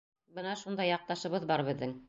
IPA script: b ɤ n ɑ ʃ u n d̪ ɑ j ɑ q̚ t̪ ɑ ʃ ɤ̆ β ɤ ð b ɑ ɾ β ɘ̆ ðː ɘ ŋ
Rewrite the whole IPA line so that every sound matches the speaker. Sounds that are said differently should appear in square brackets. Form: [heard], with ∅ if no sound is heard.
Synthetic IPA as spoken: b ɤ n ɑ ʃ u n d̪ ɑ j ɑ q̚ t̪ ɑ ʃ ɤ̆ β ɤ ð b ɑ ɾ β ɘ̆ ðː ɘ ŋ